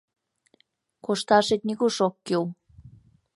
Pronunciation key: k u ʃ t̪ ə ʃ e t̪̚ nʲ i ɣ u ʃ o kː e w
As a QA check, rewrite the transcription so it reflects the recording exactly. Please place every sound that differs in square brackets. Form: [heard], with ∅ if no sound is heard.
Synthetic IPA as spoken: k [o] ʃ t̪ [ɑ] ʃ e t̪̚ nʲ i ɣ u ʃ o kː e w